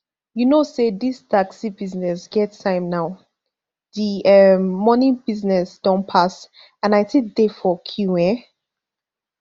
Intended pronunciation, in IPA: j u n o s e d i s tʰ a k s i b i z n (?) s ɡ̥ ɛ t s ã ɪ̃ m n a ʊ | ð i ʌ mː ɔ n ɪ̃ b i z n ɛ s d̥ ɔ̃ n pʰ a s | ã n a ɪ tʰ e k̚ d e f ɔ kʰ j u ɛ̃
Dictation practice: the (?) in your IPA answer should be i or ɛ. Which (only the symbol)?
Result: ɛ